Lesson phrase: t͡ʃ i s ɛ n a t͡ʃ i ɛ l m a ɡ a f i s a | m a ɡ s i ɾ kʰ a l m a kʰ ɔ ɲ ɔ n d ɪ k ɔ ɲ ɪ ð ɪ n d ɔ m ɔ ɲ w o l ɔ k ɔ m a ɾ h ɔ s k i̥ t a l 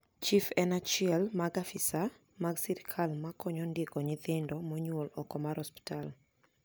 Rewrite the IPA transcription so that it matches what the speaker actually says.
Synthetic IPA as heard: t͡ʃ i f ɛ n a t͡ʃ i ɛ l m a ɡ a f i s a | m a ɡ s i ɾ kʰ a l m a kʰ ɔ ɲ ɔ n d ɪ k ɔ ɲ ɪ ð ɪ n d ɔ m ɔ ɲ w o l ɔ k ɔ m a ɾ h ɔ s p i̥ t a l